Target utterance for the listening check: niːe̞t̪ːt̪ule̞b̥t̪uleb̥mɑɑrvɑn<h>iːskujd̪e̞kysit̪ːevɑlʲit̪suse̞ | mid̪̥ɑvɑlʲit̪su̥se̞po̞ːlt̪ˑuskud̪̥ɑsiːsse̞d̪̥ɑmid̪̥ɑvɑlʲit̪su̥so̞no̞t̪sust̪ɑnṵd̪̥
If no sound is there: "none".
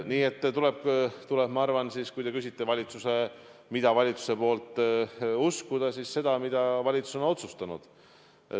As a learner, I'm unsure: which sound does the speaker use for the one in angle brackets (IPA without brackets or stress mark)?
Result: s